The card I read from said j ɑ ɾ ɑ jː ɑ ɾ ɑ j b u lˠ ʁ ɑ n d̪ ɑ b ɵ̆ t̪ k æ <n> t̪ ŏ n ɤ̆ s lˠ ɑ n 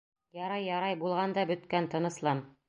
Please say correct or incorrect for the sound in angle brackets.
correct